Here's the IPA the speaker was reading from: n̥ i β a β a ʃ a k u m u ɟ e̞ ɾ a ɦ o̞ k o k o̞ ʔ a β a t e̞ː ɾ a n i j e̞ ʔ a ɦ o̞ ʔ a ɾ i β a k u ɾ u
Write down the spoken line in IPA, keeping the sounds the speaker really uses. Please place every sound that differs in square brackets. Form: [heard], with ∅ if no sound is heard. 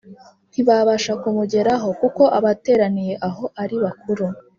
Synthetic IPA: n̥ i β a β a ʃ a k u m u ɟ e̞ ɾ a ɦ o̞ k [u] k o̞ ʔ a β a t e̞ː ɾ a n i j e̞ ʔ a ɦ o̞ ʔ a ɾ i β a k u ɾ u